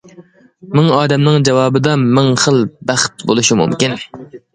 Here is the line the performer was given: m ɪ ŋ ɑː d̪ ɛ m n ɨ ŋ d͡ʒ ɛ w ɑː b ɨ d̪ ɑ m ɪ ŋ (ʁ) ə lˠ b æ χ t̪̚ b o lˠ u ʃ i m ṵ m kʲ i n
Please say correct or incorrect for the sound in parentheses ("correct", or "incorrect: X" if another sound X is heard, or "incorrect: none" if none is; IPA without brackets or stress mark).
incorrect: χ